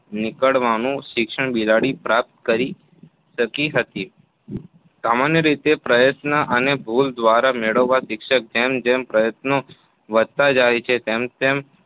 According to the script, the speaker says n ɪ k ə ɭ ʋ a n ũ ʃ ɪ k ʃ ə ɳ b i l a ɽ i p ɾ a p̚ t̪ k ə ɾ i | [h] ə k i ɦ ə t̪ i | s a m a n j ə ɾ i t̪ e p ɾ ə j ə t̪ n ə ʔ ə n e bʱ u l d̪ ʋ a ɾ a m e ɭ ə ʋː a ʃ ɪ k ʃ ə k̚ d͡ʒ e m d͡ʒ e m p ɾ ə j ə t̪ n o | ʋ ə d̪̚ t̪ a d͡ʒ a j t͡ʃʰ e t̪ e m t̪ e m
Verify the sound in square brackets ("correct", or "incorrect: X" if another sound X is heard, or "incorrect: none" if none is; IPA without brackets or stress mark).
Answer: incorrect: ʃ